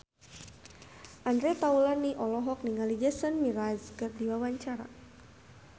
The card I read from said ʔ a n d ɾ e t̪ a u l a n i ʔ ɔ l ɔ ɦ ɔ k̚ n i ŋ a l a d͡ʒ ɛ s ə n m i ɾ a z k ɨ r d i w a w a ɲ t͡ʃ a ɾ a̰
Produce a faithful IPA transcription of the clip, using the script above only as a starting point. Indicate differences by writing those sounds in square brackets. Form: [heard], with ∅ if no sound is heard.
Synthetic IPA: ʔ a n d ɾ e t̪ a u l a n i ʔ ɔ l ɔ ɦ ɔ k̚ n i ŋ a l [i] d͡ʒ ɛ s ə n m i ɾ a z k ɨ r d i w a w a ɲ t͡ʃ a ɾ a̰